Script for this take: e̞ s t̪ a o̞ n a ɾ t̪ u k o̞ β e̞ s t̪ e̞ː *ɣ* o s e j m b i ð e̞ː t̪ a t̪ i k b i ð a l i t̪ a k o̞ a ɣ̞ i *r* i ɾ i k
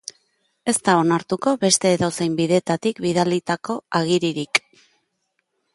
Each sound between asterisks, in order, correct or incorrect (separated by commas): incorrect, incorrect